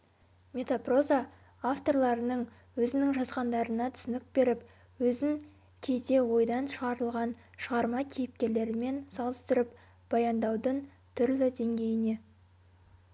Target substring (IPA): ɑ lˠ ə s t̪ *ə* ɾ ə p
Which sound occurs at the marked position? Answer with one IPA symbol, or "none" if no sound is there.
ə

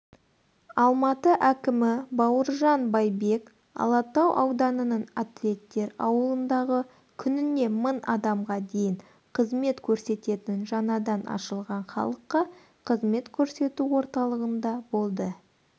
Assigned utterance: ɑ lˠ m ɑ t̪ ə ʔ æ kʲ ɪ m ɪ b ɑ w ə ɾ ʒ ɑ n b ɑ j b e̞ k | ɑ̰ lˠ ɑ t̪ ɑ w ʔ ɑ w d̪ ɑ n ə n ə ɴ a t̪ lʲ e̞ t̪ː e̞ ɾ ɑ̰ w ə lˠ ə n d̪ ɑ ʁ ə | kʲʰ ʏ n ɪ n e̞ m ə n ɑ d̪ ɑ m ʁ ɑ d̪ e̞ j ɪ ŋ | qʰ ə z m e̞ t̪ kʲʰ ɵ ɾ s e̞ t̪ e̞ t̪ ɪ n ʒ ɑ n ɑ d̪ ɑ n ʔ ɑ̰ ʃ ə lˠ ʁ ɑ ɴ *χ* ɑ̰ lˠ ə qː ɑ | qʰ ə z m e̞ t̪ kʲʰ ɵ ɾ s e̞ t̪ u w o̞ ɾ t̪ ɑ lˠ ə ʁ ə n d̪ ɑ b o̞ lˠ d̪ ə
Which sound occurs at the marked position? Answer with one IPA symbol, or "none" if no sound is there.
χ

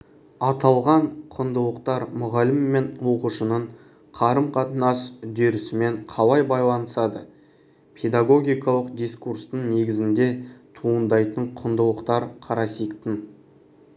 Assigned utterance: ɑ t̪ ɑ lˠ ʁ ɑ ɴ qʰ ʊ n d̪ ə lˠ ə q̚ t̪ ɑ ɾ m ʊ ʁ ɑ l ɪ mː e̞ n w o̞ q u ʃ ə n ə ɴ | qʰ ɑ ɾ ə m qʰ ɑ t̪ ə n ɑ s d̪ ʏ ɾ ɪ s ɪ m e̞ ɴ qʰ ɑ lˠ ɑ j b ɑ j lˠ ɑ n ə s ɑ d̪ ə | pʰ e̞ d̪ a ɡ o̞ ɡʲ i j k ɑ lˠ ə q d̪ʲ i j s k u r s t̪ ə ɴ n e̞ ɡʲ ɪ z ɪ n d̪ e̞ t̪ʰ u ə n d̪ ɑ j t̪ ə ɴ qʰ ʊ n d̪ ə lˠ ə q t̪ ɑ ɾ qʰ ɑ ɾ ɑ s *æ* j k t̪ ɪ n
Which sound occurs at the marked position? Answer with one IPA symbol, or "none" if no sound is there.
i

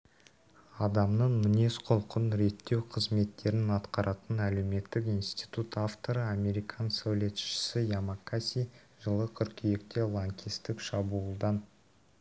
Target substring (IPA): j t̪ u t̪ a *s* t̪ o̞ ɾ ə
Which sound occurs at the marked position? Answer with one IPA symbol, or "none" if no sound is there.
f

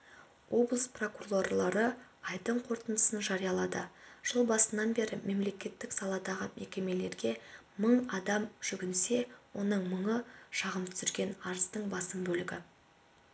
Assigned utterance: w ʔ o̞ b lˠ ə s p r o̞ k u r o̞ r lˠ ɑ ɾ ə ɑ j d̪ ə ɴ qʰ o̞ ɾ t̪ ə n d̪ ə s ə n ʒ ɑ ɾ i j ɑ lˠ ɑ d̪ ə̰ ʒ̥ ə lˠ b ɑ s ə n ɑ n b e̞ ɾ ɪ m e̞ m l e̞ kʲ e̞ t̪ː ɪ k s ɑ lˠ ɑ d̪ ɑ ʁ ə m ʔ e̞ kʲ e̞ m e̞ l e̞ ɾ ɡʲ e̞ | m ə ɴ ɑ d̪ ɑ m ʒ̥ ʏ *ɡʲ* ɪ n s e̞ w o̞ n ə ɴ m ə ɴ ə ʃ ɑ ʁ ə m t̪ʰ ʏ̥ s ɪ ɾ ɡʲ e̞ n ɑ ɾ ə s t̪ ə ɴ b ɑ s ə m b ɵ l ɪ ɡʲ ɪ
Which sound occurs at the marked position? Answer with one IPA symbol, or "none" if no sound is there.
ɡʲ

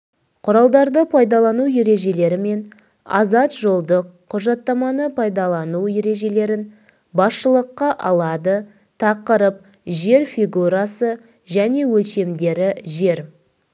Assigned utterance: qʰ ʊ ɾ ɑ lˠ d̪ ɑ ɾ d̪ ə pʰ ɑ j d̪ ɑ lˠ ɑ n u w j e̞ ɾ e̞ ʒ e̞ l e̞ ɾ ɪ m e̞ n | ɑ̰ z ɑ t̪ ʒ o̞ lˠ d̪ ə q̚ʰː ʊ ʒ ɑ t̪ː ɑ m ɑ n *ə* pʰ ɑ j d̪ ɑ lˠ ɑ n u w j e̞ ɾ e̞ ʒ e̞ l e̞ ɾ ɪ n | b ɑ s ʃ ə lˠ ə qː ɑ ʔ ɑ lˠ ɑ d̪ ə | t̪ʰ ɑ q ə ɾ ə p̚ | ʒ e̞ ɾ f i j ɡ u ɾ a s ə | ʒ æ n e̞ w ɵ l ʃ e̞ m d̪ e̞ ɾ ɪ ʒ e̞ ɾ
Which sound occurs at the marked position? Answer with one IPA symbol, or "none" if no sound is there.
ə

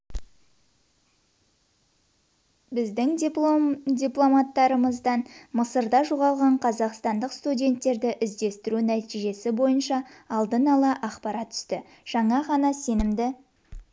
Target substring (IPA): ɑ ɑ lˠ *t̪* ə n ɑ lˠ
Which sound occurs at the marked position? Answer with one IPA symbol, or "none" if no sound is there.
d̪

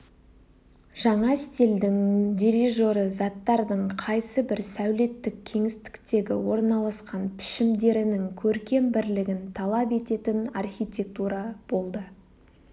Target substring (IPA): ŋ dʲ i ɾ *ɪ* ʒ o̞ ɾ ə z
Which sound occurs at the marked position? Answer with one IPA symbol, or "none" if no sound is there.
i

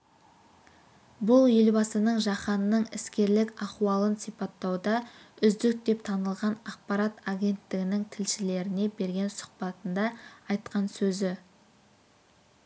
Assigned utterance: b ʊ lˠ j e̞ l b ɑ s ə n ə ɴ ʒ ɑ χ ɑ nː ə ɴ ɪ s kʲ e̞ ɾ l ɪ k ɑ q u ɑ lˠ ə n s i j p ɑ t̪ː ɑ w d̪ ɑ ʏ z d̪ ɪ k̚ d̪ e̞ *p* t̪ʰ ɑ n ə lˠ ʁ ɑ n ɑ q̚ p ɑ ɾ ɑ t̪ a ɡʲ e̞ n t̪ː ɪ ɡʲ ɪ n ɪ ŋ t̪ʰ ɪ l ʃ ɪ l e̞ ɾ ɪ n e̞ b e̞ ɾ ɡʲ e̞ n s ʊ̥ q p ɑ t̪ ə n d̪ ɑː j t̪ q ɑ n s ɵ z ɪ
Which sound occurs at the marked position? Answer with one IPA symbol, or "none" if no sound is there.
p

